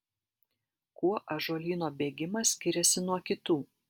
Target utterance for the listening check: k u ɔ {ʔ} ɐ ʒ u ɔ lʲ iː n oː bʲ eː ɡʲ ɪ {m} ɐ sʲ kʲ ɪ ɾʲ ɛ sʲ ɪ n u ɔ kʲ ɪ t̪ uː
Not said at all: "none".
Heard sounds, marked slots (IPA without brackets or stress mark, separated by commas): ʔ, m